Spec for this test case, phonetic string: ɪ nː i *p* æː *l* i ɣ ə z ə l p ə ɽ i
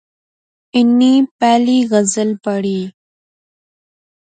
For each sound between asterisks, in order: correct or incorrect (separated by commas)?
correct, correct